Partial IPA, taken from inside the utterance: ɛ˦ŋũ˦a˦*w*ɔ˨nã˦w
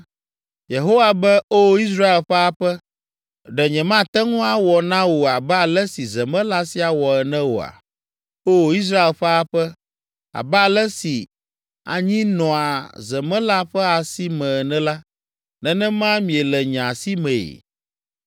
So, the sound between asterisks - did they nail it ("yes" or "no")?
yes